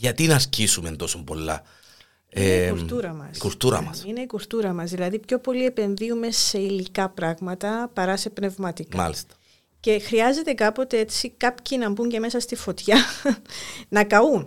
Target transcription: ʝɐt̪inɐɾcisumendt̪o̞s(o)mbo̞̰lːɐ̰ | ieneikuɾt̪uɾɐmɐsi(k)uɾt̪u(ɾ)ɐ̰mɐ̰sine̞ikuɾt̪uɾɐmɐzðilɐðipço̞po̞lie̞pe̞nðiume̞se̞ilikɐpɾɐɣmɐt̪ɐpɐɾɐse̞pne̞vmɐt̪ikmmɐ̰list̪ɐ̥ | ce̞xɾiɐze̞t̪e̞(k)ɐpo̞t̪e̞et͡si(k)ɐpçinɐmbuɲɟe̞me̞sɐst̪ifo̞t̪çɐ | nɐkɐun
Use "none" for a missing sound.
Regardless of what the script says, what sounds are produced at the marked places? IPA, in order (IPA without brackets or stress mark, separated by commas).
o, k, ɾ, k, k